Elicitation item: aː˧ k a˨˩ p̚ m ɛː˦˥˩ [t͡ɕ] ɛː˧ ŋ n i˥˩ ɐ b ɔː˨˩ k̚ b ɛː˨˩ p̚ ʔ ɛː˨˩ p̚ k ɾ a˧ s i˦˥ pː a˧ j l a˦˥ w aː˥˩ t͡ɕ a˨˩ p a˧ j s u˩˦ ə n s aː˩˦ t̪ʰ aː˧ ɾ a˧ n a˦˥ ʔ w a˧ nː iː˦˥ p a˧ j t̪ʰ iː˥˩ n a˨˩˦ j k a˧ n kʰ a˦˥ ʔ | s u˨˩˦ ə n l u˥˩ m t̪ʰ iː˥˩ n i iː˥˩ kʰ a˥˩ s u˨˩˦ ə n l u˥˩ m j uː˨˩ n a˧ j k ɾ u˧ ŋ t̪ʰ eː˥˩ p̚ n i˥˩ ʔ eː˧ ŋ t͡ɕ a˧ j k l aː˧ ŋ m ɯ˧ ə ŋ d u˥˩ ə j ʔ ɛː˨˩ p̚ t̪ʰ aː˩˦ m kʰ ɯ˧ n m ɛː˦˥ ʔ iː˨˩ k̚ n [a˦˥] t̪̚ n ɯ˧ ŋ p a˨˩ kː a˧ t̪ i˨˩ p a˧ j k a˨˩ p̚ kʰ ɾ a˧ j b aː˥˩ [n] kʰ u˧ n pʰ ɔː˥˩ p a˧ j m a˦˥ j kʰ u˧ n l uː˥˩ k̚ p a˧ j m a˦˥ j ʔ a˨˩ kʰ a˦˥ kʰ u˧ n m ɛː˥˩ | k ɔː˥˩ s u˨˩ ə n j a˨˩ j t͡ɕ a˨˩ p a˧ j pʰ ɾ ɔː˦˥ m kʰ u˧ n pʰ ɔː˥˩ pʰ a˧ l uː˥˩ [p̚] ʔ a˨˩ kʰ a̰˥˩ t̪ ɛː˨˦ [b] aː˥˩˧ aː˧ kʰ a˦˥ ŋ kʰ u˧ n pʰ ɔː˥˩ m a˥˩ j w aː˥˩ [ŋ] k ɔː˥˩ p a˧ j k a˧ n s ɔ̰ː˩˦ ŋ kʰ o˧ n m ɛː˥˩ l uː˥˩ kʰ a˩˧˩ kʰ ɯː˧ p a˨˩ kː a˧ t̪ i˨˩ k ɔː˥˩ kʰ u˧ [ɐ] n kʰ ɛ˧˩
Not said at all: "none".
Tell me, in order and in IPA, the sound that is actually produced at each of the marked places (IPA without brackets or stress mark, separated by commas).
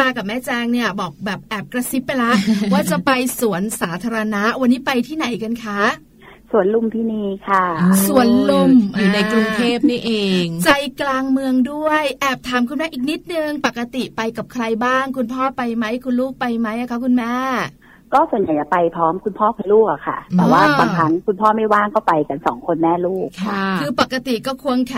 t͡ɕ, i˦˥, ŋ, k̚, w, ŋ, ə